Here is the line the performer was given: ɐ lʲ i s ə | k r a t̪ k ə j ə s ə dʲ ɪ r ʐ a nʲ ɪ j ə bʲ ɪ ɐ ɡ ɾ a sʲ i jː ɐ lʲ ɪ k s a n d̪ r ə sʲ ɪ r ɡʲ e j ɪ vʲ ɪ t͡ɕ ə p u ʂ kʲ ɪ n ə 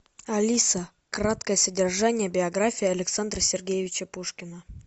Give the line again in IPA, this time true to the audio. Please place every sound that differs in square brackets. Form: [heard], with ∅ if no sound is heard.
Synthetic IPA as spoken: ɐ lʲ i s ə | k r a t̪ k ə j ə s ə dʲ ɪ r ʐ a nʲ ɪ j ə bʲ ɪ ɐ ɡ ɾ a [fʲ] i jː ɐ lʲ ɪ k s a n d̪ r ə sʲ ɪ r ɡʲ e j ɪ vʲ ɪ t͡ɕ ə p u ʂ kʲ ɪ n ə